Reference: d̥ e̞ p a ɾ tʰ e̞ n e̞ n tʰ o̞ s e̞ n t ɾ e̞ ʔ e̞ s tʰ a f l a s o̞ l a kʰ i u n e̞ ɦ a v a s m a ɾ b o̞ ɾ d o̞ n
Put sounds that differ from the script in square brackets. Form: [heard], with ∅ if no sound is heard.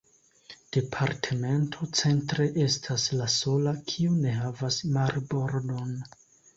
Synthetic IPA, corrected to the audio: d̥ e̞ [pʰ] a ɾ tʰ e̞ [m] e̞ n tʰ o̞ [t͡s] e̞ n t ɾ e̞ ʔ e̞ s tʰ a [s] l a s o̞ l a kʰ i u n e̞ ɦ a v a s m a ɾ b o̞ ɾ d o̞ n